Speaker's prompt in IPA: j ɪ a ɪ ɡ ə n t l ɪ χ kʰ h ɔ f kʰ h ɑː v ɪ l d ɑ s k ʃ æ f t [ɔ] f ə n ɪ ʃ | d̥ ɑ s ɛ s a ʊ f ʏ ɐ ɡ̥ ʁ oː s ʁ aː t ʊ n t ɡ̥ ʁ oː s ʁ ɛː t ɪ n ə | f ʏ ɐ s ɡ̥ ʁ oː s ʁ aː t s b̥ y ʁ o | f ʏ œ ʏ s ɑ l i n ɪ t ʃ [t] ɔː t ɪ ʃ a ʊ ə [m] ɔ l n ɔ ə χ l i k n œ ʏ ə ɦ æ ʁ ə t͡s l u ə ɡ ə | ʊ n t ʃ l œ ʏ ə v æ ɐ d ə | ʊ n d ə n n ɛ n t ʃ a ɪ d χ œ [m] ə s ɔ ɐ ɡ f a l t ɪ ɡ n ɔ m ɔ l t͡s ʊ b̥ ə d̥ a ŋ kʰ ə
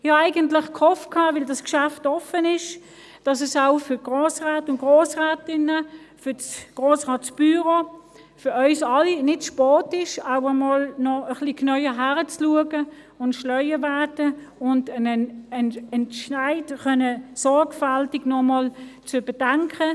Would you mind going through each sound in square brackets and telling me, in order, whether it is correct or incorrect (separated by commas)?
correct, incorrect, correct, incorrect